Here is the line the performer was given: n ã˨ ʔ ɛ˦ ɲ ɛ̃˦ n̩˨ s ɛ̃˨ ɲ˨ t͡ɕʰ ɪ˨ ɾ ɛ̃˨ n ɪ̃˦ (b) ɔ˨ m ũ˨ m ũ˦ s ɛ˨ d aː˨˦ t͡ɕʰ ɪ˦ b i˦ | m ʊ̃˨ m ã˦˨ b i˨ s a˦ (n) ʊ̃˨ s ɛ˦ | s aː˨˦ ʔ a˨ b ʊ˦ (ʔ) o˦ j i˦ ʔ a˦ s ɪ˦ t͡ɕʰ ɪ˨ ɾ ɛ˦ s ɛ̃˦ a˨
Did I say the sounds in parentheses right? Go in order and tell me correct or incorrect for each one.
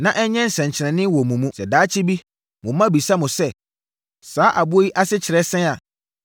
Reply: incorrect, incorrect, incorrect

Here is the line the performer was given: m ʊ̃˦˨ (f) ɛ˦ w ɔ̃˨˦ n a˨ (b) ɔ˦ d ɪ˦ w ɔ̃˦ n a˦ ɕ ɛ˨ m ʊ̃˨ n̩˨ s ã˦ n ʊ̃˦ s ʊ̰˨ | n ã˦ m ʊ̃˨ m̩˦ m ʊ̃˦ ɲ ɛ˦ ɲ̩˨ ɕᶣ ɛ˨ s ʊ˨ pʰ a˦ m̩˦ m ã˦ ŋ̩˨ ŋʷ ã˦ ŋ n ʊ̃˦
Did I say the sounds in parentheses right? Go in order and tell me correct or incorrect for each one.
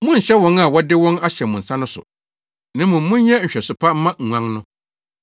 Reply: incorrect, incorrect

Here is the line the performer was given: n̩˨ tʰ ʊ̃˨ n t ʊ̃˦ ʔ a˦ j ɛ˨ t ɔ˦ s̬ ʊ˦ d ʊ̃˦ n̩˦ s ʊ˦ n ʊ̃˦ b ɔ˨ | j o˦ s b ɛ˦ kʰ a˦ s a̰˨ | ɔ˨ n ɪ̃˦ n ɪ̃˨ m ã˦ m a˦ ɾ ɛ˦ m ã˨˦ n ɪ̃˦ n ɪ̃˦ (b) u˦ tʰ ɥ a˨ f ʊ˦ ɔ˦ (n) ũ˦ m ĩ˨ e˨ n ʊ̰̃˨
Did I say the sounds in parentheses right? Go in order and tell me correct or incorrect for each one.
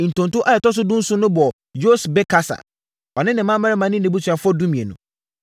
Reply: correct, incorrect

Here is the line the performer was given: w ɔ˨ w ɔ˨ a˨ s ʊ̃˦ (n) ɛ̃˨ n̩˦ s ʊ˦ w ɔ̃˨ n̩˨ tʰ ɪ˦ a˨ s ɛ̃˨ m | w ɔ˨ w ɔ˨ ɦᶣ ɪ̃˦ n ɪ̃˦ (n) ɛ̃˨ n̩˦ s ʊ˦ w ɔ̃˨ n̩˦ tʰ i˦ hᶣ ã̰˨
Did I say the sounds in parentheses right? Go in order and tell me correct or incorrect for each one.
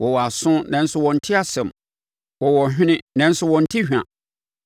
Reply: correct, correct

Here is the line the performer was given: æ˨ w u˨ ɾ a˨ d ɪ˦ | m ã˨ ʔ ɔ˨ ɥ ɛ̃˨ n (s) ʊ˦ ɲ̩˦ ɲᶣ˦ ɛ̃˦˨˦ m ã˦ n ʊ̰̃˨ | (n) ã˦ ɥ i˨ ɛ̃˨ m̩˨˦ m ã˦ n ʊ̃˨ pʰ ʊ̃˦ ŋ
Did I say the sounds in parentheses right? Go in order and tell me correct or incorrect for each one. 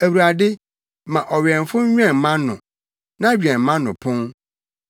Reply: incorrect, correct

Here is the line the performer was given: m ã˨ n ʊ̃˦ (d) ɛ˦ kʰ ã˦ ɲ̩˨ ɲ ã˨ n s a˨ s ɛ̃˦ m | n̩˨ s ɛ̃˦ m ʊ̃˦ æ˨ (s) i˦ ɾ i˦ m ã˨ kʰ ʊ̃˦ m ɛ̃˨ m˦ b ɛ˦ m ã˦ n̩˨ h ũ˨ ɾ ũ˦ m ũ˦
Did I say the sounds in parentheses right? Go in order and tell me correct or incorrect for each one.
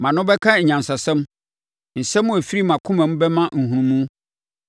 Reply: incorrect, incorrect

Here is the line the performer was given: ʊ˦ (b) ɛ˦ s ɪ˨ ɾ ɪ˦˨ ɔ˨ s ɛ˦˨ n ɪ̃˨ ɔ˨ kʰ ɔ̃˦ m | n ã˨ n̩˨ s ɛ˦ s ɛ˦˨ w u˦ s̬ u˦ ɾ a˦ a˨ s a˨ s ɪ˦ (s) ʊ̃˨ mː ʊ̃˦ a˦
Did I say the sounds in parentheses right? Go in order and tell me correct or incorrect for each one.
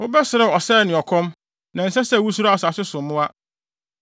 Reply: correct, correct

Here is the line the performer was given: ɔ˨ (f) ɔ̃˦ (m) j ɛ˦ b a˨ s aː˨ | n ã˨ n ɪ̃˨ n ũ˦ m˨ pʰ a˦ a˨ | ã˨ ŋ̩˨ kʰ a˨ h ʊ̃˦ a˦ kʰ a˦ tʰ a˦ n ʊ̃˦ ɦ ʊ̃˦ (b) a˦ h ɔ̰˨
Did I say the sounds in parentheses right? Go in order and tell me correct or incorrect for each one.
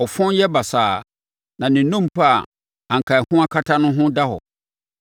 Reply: correct, incorrect, incorrect

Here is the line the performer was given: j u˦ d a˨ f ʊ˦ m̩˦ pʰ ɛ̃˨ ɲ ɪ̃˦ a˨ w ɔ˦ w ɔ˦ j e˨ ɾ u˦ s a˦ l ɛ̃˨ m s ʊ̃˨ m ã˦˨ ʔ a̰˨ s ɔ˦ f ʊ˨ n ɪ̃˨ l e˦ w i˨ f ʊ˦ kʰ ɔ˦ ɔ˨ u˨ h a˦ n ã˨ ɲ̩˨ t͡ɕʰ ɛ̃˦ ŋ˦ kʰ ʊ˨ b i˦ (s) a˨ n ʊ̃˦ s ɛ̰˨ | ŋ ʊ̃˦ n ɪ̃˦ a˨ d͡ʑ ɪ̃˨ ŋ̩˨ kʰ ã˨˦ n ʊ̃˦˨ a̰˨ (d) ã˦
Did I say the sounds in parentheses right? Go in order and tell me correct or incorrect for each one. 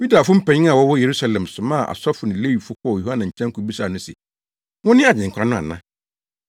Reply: correct, incorrect

